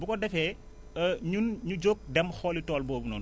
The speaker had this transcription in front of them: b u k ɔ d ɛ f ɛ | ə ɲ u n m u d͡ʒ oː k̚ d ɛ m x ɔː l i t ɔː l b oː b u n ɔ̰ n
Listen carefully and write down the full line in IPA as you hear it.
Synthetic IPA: b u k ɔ d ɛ f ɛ | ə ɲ u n ɲ u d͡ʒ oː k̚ d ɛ m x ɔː l i t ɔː l b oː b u n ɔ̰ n